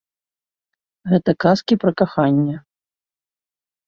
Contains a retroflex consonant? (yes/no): no